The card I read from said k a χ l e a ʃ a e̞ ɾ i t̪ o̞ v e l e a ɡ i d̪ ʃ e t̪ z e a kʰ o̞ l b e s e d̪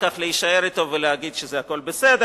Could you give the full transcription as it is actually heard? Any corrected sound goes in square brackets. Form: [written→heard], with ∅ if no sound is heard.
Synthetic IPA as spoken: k a χ l e [a→i] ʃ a e̞ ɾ i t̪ o̞ v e l e a ɡ i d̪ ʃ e [t̪→∅] z e a [kʰ→k] o̞ l b e s e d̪